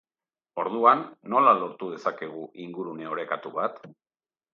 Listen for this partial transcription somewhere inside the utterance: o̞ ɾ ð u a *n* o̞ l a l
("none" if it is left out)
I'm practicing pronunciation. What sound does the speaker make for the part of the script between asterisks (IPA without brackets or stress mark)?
nː